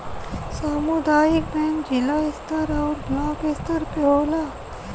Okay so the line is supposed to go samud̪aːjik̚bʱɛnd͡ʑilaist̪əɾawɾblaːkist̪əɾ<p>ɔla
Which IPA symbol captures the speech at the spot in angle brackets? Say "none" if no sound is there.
p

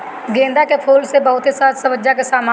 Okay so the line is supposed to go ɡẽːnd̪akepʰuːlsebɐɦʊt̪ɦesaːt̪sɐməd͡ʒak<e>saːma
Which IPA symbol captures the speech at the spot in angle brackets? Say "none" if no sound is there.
e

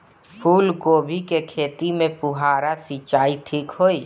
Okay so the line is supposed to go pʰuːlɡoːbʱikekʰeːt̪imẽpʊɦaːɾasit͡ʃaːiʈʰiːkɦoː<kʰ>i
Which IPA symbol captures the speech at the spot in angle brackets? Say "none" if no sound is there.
none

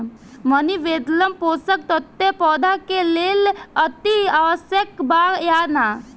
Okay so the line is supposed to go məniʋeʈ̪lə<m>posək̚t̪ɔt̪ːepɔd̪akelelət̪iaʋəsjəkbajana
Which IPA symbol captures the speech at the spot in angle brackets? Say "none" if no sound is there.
m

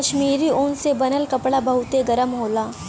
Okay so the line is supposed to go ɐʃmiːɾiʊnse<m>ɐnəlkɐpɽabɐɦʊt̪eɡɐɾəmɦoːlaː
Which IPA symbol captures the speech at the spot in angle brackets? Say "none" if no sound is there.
b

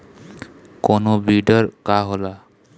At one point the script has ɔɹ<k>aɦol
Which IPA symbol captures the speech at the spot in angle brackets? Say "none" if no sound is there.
k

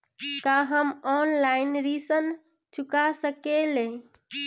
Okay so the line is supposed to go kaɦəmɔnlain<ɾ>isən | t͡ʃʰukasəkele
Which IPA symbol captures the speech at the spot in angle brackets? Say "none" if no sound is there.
ɾ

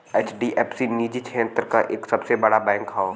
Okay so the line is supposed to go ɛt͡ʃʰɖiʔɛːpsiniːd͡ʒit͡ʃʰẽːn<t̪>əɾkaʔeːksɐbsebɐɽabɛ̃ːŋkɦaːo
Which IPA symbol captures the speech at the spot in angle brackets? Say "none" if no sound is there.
t̪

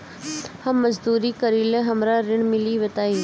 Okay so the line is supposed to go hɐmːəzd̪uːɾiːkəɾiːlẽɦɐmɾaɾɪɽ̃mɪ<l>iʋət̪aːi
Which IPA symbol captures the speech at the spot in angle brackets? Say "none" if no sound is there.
l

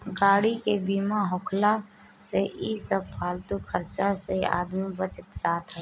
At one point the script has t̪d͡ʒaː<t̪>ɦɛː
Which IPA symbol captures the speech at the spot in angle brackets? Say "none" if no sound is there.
t̪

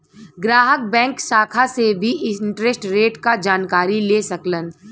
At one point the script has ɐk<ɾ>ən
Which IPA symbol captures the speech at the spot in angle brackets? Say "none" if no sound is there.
l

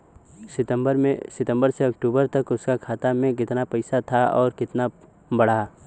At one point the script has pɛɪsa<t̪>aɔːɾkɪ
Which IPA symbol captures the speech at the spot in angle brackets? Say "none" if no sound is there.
t̪ʰ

